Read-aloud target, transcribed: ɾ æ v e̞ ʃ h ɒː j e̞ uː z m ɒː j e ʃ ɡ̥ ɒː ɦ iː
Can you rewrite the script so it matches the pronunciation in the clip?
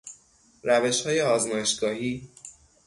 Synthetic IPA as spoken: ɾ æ v e̞ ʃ h ɒː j e̞ ɒː z m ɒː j e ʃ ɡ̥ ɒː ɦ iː